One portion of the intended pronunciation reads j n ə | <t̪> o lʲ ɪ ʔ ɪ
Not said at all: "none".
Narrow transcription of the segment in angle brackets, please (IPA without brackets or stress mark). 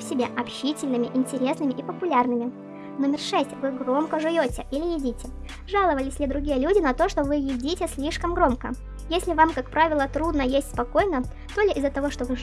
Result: t̪